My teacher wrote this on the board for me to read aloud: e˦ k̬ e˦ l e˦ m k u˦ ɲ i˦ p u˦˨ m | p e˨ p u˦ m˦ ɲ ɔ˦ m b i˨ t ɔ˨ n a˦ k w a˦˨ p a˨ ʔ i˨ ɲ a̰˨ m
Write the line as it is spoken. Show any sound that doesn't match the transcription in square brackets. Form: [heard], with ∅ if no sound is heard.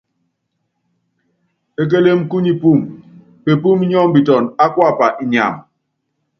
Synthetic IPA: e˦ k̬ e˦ l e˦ m k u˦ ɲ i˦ p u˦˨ m | p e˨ p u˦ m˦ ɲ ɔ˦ m b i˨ t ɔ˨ n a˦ k w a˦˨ p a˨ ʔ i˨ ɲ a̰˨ m